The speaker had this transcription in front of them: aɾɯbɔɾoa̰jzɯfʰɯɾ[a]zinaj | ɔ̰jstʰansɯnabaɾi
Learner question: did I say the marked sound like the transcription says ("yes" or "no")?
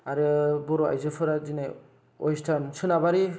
yes